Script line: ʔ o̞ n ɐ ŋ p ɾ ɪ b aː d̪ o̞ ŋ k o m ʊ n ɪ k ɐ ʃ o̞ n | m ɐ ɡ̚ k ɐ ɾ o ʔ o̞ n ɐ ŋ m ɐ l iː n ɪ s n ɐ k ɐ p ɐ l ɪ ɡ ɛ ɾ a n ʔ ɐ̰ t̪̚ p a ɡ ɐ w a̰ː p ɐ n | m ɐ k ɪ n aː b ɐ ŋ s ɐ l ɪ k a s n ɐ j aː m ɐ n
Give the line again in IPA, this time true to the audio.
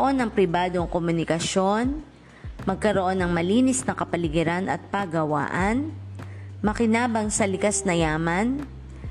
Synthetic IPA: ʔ o̞ n ɐ ŋ p ɾ ɪ b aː d̪ o̞ ŋ k o m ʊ n ɪ k ɐ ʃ o̞ n | m ɐ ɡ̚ k ɐ ɾ o ʔ o̞ n ɐ ŋ m ɐ l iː n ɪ s n ɐ k ɐ p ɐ l ɪ ɡ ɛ ɾ a n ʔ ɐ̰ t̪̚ p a ɡ ɐ w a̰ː ʔ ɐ n | m ɐ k ɪ n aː b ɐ ŋ s ɐ l ɪ k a s n ɐ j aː m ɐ n